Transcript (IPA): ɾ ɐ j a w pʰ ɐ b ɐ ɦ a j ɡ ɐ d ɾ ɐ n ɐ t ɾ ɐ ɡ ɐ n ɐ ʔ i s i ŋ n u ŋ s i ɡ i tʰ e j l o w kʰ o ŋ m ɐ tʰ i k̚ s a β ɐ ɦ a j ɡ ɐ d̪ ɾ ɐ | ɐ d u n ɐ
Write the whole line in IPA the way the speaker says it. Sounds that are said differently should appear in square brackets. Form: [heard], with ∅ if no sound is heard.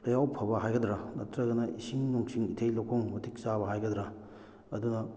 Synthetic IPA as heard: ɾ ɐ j a w pʰ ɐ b ɐ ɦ a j ɡ ɐ d ɾ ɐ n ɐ t ɾ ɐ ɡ ɐ n ɐ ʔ i s i ŋ n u ŋ s i [ŋ] i tʰ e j l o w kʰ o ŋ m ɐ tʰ i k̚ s a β ɐ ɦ a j ɡ ɐ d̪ ɾ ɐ | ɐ d u n ɐ